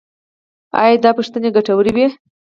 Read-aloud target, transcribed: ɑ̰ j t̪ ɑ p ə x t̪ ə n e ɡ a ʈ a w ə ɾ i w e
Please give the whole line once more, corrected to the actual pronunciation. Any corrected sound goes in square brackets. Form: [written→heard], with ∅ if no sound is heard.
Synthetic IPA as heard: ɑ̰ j [t̪→d̪] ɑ p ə [x→ʂ] t̪ ə n e ɡ a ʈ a w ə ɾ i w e